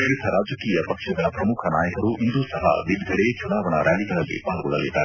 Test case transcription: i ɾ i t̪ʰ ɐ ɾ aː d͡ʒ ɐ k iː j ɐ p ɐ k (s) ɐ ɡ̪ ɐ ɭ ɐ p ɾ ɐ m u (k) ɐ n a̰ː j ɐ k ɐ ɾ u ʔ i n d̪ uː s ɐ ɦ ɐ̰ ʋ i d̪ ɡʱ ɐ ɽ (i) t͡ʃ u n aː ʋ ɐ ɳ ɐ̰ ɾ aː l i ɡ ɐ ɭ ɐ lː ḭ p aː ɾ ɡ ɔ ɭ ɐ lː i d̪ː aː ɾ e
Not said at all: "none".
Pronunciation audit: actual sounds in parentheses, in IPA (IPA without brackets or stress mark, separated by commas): ʂ, kʰ, e